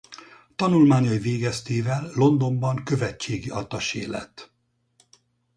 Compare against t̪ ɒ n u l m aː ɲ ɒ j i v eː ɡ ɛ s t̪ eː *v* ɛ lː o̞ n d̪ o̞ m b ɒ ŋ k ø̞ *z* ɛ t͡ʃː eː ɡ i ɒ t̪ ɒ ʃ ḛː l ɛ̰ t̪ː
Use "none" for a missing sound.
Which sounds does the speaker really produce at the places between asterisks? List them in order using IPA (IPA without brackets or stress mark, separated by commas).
v, v